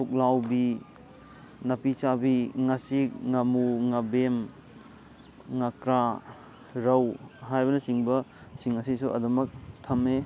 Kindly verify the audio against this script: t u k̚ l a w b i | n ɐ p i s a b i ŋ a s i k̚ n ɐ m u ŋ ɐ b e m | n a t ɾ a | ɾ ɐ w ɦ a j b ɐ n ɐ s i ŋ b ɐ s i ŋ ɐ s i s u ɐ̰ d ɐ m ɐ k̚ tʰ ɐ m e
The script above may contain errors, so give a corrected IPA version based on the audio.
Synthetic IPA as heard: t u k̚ l a w b i | n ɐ p i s a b i ŋ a s i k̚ ŋ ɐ m u ŋ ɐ b e m | ŋ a k ɾ a | ɾ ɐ w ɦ a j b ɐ n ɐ s i ŋ b ɐ s i ŋ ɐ s i s u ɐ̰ d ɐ m ɐ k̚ tʰ ɐ m e